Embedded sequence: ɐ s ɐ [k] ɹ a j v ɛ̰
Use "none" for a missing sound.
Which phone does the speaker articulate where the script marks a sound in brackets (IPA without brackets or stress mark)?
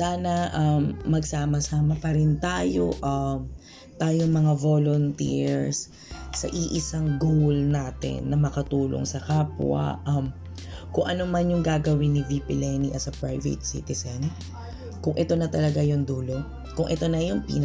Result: p